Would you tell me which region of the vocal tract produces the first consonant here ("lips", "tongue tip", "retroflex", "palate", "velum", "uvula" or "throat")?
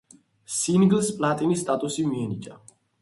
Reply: tongue tip